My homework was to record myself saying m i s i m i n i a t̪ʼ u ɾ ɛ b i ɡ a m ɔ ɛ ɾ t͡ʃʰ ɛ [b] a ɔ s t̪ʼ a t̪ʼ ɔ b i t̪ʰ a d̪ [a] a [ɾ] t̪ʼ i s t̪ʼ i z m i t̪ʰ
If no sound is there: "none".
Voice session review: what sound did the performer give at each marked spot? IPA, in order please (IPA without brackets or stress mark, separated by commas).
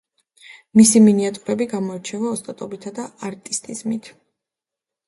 v, a, ɾ